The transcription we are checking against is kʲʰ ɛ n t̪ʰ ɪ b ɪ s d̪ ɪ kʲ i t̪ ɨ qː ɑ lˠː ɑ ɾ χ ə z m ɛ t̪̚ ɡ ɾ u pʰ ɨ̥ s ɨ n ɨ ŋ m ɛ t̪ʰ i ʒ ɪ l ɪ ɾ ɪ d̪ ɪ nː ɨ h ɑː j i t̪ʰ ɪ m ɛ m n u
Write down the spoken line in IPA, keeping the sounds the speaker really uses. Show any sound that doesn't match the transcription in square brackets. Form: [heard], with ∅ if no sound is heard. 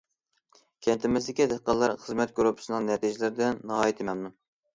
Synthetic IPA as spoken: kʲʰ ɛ n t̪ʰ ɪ [m] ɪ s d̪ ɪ kʲ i [d̪] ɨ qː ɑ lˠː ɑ ɾ χ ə z m ɛ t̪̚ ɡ ɾ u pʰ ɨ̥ s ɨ n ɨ ŋ [n] ɛ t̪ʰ i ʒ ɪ l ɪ ɾ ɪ d̪ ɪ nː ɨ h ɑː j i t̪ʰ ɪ m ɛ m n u

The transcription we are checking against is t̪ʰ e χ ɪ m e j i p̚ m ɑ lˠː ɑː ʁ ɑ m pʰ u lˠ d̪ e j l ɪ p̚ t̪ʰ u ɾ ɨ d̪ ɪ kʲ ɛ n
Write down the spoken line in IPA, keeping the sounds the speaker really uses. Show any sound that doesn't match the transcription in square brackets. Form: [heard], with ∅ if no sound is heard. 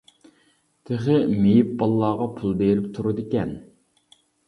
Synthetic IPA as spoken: t̪ʰ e χ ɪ m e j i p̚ [b] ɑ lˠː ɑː ʁ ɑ [∅] pʰ u lˠ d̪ e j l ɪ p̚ t̪ʰ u ɾ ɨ d̪ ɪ kʲ ɛ n

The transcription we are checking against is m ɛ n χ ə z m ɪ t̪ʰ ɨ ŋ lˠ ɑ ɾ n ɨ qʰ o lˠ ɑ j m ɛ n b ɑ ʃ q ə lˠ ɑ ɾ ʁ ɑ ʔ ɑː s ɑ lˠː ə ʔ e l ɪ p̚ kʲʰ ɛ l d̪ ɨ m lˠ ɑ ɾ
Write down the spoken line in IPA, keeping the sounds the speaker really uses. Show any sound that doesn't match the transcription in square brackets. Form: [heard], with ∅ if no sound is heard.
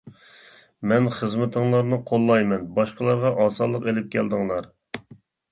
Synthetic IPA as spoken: m ɛ n χ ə z m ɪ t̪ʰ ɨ ŋ lˠ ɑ ɾ n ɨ qʰ o [lˠː] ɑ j m ɛ n b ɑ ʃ q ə lˠ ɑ ɾ ʁ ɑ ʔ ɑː s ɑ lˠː ə [q] e l ɪ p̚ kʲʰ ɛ l d̪ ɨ [ŋ] lˠ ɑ ɾ

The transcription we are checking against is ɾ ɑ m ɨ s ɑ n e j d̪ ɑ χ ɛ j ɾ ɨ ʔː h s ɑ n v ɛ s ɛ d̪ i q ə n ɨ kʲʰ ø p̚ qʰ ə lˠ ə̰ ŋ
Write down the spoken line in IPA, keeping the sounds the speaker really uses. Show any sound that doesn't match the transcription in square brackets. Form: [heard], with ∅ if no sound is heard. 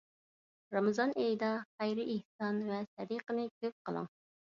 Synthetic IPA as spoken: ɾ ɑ m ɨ [z] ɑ n e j d̪ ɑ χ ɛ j ɾ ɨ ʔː h s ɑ n v ɛ s ɛ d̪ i q ə n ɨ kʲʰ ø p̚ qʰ ə lˠ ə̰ ŋ

